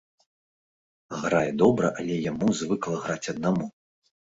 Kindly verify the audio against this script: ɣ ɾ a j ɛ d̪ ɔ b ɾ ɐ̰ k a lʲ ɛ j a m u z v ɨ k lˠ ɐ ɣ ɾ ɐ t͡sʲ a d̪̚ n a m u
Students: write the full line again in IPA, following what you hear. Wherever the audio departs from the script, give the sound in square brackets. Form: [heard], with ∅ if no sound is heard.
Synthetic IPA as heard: ɣ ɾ a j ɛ d̪ ɔ b ɾ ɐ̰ [ʔ] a lʲ ɛ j a m u z v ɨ k lˠ ɐ ɣ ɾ [a] t͡sʲ [ɐ] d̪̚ n a m u